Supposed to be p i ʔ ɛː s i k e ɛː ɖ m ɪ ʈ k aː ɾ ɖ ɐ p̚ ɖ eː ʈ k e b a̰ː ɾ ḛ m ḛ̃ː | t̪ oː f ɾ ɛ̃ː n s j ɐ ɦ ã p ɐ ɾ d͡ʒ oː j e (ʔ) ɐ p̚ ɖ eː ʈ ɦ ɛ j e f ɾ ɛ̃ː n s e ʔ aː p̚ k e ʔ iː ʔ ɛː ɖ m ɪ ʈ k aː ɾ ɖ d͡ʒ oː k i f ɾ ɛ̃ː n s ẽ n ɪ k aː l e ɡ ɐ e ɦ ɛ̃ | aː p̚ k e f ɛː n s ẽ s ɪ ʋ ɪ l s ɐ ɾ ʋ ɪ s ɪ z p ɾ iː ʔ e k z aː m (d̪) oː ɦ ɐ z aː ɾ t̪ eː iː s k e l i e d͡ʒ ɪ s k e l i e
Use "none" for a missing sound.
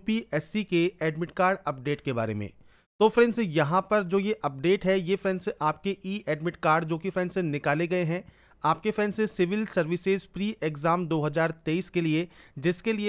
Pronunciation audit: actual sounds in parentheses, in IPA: ʔ, d̪

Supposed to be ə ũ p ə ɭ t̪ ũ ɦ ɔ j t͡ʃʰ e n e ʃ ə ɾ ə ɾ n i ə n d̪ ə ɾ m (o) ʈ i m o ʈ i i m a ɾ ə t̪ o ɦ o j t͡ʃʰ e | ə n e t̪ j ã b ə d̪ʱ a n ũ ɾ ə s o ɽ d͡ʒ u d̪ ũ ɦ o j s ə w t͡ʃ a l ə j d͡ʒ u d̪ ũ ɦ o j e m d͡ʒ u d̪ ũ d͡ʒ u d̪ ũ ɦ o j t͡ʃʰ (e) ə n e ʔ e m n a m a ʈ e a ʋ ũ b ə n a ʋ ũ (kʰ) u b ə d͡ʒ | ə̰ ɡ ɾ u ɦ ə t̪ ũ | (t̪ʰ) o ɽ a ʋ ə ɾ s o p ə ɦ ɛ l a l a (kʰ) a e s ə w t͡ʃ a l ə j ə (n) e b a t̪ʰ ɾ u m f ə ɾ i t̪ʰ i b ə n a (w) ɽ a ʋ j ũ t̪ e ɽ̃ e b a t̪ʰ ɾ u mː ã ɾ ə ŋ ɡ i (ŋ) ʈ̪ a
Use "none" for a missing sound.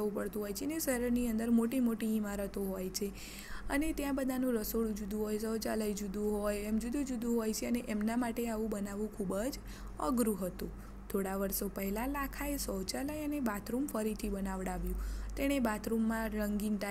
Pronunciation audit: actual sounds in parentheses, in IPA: o, e, kʰ, t̪ʰ, kʰ, n, ʋ, n

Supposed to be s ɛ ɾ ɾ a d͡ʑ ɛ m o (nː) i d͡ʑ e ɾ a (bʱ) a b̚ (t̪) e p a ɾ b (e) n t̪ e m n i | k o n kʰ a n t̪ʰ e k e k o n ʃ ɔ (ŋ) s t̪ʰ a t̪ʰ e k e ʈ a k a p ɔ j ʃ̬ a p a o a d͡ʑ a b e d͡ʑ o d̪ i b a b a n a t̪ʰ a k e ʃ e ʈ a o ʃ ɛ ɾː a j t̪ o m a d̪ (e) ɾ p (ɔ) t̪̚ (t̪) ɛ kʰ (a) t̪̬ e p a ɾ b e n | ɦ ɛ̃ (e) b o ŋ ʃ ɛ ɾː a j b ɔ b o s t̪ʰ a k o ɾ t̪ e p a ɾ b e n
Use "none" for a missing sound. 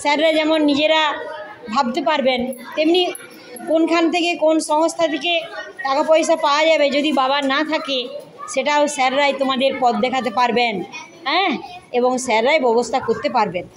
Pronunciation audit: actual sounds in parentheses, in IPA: nː, bʱ, t̪, e, ŋ, e, ɔ, d̪, a, e

